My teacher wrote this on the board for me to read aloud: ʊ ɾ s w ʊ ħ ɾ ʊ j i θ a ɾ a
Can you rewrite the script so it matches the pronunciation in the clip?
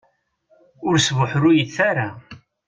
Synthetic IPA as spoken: ʊ ɾ s v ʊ ħ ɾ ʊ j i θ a ɾ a